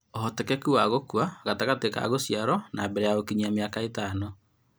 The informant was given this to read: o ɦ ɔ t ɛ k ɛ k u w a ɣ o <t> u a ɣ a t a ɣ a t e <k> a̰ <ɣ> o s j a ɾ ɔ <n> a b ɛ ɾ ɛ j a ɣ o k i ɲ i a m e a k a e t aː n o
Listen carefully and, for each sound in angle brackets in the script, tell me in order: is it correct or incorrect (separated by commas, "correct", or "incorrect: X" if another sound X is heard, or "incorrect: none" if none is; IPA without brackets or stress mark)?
incorrect: k, correct, correct, correct